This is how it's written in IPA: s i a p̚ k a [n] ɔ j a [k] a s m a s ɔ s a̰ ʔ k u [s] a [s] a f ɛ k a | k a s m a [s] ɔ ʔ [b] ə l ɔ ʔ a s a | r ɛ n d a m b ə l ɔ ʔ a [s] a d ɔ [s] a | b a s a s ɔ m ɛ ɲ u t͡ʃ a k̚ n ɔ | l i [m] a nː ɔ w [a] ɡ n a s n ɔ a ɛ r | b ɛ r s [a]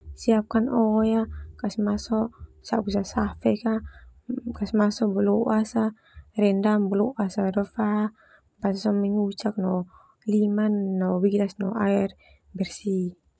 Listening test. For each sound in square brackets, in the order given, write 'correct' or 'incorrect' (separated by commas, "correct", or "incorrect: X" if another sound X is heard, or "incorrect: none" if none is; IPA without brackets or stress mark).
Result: correct, correct, correct, correct, correct, correct, correct, incorrect: f, correct, incorrect: i, incorrect: i